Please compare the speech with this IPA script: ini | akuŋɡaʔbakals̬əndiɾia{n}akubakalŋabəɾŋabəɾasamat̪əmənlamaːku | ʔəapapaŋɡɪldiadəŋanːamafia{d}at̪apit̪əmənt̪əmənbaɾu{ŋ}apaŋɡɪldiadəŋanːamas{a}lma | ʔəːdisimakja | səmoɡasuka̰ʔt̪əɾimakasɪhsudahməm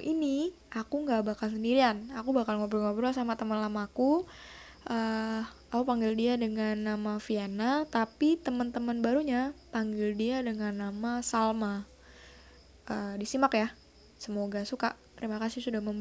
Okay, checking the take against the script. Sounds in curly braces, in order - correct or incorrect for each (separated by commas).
correct, incorrect, incorrect, correct